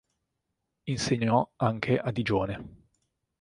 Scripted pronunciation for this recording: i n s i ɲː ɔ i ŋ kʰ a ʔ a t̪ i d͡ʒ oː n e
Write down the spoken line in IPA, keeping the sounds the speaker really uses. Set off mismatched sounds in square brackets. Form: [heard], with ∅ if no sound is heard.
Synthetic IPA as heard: i n s [e] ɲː ɔ [a] ŋ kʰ [e] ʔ a [d̪] i d͡ʒ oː n e

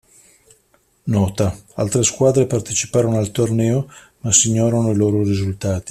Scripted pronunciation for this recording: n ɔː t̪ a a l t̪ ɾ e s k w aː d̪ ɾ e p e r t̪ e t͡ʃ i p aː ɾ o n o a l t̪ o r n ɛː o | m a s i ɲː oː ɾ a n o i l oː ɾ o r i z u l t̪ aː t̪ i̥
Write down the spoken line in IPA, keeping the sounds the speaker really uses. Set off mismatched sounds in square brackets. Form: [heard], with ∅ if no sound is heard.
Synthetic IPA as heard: n ɔː t̪ a a l t̪ ɾ e s k w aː d̪ ɾ e p [a] r t̪ e t͡ʃ i p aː ɾ o n o a l t̪ o r n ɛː o | m a s i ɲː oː ɾ a n o i l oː ɾ o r i z u l t̪ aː t̪ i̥

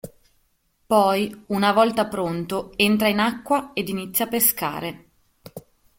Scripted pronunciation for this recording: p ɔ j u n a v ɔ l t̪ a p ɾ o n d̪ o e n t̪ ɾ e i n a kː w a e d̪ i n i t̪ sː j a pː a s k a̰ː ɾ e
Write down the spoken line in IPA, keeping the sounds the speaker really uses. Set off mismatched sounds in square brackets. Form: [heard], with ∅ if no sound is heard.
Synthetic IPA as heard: p ɔ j u n a v ɔ l t̪ a p ɾ o n [t̪] o e n t̪ ɾ [a] i n a kː w a e d̪ i n i t̪ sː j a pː [e] s k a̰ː ɾ e

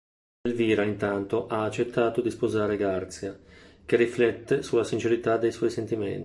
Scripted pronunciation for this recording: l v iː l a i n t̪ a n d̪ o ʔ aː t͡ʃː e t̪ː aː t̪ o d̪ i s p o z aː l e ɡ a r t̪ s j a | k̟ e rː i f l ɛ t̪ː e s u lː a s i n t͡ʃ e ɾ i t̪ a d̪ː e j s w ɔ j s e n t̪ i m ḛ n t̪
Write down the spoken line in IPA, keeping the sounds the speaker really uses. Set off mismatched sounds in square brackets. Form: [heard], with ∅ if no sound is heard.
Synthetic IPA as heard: l v iː [ɾ] a i n t̪ a n [t̪] o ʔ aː t͡ʃː e t̪ː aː t̪ o d̪ i s p o z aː [ɾ] e ɡ a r t̪ s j a | k̟ e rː i f l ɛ t̪ː e s u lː a s i n t͡ʃ e ɾ i t̪ a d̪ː e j s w ɔ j s e n t̪ i m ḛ n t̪

